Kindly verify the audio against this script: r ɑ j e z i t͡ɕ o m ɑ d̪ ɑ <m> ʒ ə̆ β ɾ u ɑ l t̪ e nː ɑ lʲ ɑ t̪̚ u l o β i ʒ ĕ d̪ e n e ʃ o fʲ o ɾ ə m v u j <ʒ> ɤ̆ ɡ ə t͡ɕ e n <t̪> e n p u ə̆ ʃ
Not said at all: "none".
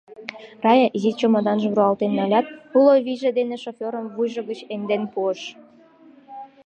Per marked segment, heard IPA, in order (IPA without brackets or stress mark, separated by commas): n, ʒ, d̪